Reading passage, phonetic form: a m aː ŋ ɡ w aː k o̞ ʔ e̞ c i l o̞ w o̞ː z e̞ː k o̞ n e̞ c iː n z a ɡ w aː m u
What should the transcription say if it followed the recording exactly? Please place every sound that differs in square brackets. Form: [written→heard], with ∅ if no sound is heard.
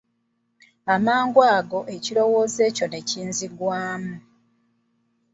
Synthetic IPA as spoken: a m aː ŋ ɡ w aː [k→ɡ] o̞ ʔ e̞ c i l o̞ w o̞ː z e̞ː [k→c] o̞ n e̞ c iː n z [a→i] ɡ w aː m u